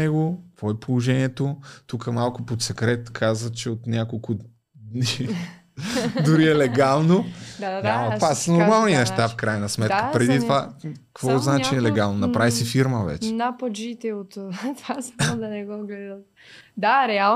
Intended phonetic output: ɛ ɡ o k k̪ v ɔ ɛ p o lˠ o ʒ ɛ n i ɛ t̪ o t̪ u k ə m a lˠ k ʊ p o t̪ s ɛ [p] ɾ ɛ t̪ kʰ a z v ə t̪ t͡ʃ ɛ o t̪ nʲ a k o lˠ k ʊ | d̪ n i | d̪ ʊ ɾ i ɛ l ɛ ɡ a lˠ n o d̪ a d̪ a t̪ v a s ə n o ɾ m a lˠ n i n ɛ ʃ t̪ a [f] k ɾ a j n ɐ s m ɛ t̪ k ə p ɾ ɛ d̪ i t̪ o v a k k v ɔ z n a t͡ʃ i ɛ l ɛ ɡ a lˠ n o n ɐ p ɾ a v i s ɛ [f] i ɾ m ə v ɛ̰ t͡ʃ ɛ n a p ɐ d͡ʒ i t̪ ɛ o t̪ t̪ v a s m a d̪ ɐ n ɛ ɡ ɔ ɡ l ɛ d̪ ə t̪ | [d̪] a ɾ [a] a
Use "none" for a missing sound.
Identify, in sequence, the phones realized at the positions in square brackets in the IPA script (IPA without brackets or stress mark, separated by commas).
k, f, f, d̪, ɛ